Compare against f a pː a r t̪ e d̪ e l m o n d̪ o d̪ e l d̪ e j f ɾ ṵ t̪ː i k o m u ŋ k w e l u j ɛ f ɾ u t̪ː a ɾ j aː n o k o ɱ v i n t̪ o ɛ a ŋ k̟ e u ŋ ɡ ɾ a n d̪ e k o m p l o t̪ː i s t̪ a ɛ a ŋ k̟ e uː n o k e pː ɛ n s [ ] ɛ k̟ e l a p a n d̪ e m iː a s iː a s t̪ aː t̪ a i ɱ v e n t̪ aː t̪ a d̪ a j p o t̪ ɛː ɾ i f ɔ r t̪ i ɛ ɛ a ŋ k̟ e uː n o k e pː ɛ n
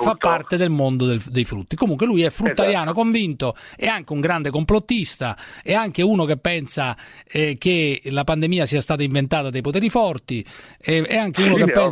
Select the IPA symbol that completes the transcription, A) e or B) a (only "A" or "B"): B